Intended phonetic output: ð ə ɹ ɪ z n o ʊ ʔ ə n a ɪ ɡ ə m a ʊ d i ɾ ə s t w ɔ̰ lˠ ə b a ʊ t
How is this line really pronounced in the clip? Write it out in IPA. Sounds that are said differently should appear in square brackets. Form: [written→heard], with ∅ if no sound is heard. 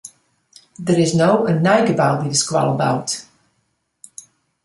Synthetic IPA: ð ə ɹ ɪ z n o ʊ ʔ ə n a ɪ ɡ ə [m→b] a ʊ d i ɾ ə s [t→k] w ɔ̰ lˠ ə b a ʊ t